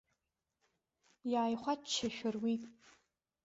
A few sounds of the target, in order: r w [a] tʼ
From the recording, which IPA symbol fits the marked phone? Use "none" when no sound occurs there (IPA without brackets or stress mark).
i